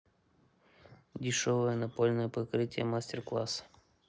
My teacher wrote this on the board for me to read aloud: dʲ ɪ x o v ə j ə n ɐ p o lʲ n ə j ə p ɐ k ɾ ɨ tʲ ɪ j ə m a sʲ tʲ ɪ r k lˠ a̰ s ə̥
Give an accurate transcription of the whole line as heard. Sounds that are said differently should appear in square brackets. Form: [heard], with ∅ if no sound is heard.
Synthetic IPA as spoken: dʲ ɪ [ʂ] o v ə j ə n ɐ p o lʲ n ə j ə p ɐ k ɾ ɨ tʲ ɪ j ə m a sʲ tʲ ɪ r k lˠ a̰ s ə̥